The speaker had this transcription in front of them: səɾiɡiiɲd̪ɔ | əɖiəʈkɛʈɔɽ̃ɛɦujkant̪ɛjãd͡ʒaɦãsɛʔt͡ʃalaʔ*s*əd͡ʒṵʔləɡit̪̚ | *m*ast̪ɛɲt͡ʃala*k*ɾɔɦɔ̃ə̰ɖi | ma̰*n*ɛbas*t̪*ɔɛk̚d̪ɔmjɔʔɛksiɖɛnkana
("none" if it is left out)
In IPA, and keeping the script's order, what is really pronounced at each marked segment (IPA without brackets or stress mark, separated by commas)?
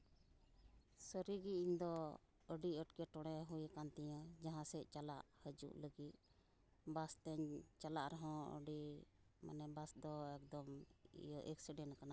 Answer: h, b, ʔ, n, d̪